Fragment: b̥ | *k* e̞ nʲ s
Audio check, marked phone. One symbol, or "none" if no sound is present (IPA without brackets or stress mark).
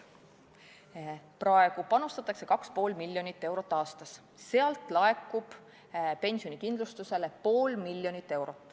p